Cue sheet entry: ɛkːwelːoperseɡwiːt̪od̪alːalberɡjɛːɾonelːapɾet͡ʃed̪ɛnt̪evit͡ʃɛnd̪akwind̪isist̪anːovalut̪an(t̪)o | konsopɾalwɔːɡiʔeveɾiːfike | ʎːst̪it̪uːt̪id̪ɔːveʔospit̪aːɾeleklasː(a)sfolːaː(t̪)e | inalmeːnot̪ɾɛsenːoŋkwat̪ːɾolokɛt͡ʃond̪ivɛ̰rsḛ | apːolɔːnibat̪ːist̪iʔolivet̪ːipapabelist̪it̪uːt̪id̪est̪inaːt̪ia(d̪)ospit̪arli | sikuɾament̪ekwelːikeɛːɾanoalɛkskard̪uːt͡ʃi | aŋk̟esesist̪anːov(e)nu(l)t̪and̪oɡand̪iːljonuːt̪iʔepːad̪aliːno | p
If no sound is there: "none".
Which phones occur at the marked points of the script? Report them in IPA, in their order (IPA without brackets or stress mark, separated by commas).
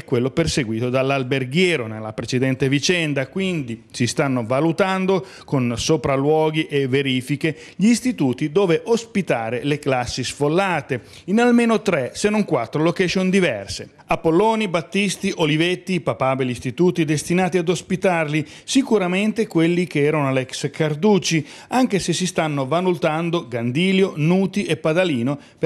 d̪, i, t̪, d̪, a, l